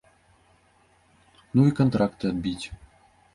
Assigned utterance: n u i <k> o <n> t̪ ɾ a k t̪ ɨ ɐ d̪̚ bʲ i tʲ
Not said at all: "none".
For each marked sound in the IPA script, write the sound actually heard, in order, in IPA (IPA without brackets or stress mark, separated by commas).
k, n